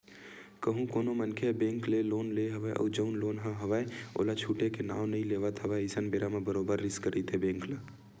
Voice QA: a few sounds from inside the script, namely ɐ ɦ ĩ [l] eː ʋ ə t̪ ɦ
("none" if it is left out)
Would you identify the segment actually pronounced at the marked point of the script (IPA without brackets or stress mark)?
l